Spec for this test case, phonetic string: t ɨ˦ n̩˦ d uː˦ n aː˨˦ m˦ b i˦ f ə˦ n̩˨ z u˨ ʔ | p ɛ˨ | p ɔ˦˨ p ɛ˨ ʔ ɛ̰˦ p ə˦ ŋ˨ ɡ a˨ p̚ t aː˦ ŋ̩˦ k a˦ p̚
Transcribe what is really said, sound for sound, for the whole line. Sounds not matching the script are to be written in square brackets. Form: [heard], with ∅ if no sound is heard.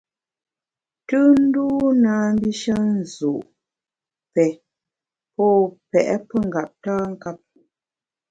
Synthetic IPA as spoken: t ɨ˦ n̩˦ d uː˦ n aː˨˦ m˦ b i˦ [ʃ] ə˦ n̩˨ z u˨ ʔ | p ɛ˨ | p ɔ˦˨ p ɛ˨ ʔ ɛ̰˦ p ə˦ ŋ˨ ɡ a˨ p̚ t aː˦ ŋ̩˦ k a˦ p̚